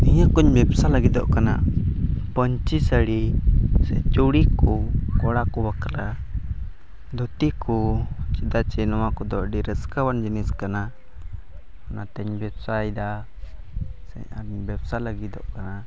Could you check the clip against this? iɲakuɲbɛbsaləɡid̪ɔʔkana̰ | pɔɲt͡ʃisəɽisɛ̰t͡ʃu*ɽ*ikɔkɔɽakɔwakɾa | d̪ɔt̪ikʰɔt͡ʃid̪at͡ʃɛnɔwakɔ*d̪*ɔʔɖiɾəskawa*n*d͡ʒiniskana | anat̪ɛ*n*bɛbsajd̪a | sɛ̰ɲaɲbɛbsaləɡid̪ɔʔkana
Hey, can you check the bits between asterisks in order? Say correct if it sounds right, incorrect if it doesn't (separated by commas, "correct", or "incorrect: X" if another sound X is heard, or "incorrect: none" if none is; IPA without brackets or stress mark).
correct, correct, correct, incorrect: ɲ